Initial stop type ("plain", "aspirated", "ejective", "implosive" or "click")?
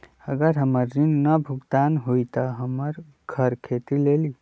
plain